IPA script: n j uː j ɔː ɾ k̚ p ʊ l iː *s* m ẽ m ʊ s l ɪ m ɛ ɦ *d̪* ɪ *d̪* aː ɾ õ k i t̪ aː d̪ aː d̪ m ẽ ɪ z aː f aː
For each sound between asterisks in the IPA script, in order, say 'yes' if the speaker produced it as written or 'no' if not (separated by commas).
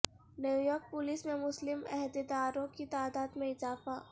yes, yes, yes